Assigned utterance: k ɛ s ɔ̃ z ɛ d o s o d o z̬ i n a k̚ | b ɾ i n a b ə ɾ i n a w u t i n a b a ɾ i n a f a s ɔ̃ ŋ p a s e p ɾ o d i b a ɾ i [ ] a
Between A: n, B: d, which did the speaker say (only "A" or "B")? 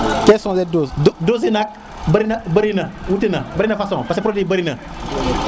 A